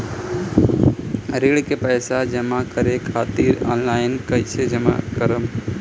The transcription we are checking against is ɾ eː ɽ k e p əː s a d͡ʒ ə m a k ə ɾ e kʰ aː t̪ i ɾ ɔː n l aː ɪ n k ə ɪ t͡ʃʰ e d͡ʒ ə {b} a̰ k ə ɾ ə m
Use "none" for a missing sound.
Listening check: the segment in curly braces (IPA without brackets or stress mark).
m